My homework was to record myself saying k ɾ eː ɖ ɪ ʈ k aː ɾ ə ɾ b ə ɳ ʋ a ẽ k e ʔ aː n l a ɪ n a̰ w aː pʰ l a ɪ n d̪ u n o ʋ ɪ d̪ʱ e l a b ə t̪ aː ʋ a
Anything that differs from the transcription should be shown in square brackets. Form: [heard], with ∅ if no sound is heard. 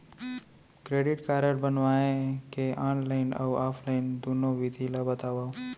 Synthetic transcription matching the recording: k ɾ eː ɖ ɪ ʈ k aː ɾ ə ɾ b ə [n] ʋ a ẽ k e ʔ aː n l a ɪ n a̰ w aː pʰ l a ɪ n d̪ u n o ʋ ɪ d̪ʱ [i] l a b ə t̪ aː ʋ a